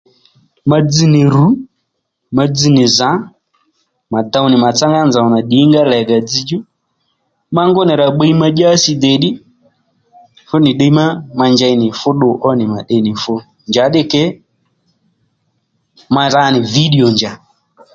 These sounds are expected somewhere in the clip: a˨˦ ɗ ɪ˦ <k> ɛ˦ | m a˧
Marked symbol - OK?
yes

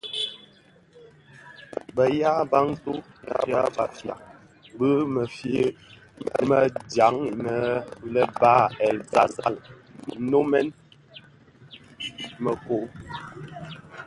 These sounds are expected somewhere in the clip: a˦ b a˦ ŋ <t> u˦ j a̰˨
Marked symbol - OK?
yes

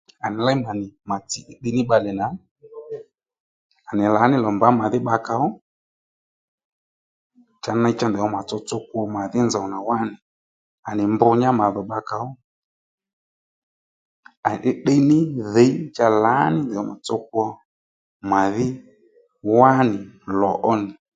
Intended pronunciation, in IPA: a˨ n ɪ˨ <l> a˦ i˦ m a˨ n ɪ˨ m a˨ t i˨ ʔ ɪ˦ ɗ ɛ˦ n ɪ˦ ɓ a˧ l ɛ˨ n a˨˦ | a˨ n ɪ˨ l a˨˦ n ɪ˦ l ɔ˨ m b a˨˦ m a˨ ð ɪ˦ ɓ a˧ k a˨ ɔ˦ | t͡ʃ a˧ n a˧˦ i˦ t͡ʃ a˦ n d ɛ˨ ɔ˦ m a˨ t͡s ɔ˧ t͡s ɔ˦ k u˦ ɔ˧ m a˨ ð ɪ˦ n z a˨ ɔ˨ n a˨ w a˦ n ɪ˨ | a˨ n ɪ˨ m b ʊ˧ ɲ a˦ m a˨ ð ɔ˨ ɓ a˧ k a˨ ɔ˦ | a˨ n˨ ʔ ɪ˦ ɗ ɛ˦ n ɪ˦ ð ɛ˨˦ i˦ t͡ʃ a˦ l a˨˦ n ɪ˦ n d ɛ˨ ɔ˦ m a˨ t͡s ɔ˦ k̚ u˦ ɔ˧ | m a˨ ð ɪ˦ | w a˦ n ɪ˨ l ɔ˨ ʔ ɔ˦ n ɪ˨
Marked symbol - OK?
yes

